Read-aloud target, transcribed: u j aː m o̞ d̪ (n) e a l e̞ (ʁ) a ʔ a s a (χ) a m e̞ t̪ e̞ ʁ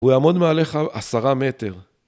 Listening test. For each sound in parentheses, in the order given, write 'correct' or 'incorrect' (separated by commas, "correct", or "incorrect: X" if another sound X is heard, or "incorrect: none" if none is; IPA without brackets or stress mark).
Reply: incorrect: m, incorrect: χ, incorrect: ʁ